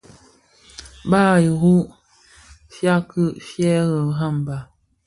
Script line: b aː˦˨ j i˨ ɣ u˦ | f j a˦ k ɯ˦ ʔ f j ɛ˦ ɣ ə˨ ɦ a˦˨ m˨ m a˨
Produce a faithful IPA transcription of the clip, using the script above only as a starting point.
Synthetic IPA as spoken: b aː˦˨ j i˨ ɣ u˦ | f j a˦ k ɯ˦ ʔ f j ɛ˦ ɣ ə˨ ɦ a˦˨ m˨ b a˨

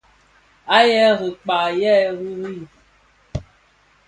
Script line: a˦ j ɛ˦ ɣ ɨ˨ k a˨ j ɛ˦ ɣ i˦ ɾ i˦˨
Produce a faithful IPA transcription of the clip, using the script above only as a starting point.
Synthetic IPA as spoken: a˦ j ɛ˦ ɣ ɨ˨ k͡p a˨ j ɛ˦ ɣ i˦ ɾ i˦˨

